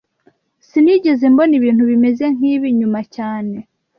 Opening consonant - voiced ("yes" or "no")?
no